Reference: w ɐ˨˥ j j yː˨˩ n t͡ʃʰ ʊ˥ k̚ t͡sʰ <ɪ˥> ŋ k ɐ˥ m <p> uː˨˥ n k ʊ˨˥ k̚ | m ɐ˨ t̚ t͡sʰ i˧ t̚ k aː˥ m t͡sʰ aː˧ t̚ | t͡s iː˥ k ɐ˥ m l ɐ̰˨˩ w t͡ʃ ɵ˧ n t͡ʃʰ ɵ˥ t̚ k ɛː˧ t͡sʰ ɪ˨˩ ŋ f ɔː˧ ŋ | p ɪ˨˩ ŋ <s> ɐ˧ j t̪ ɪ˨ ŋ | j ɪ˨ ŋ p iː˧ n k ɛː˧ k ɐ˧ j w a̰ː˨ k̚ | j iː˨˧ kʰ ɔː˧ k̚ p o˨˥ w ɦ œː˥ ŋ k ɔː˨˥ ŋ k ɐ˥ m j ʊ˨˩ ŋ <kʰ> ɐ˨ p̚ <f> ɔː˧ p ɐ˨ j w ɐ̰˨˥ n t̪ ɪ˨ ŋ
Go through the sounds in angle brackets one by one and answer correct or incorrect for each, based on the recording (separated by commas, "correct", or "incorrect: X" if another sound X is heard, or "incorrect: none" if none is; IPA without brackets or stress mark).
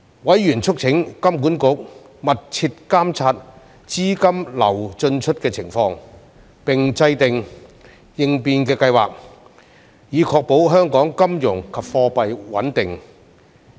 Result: incorrect: ɪ˨˥, incorrect: k, incorrect: t͡s, correct, correct